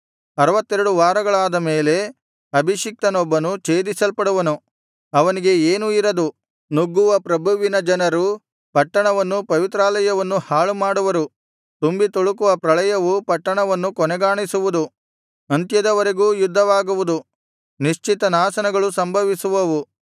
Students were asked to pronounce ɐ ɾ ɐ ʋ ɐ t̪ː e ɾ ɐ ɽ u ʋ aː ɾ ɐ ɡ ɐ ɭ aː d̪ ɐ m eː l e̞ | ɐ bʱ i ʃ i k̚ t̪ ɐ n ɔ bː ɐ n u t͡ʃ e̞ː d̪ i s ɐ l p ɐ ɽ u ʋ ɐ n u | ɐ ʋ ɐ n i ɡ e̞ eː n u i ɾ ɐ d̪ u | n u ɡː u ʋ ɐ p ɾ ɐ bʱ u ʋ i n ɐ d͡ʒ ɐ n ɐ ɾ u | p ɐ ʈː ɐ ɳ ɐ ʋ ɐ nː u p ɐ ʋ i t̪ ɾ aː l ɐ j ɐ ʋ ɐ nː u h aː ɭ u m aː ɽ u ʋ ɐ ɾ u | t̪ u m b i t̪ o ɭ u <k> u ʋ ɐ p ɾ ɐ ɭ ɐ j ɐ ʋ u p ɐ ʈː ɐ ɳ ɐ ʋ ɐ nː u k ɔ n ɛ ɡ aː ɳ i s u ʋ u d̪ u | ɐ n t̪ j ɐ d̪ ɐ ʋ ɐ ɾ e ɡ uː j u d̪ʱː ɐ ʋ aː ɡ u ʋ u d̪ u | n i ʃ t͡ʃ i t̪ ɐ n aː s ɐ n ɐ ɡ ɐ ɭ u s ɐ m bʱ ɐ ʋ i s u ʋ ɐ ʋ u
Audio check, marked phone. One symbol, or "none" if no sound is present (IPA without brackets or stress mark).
k